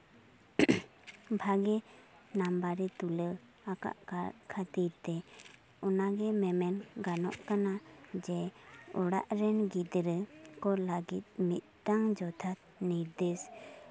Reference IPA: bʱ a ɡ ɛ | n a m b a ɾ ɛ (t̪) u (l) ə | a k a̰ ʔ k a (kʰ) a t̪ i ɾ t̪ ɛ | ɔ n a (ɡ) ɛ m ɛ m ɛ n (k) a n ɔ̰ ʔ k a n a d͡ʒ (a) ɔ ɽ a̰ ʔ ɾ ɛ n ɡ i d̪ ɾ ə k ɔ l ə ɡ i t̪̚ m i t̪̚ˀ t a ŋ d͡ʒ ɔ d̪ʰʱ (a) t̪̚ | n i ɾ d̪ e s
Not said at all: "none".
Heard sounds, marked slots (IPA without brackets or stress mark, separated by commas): t̪, l, kʰ, ɡ, ɡ, ɛ, a